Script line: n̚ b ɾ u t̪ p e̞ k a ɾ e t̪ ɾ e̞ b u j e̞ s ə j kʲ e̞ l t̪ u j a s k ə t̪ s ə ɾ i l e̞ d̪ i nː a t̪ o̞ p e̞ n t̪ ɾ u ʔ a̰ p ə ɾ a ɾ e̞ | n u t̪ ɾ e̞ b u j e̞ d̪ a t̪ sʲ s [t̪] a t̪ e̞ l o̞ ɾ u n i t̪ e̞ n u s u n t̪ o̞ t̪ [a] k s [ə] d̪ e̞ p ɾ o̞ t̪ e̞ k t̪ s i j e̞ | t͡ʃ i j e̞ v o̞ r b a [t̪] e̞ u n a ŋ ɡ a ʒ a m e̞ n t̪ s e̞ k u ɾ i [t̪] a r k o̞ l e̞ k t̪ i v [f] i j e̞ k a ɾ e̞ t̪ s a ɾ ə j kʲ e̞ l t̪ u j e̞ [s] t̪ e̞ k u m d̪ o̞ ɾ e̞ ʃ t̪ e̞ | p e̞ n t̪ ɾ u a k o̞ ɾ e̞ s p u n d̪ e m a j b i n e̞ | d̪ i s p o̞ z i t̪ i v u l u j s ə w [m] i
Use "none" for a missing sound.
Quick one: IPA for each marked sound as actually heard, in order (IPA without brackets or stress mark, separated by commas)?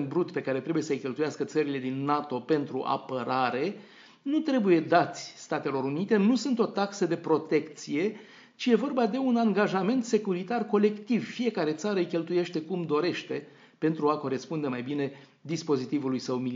t̪, a, ə, d̪, t̪, f, ʃ, m